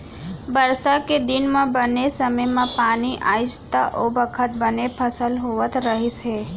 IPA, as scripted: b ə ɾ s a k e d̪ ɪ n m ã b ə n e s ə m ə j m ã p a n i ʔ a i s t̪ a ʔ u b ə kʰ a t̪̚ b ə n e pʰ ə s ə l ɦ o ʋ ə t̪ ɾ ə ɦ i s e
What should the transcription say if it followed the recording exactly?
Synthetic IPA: b ə ɾ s a k e d̪ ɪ n m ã b ə n e s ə m ə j m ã p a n i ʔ a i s t̪ a ʔ o b ə kʰ ə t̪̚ b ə n e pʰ ə s ə l ɦ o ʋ ə t̪ ɾ ə ɦ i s e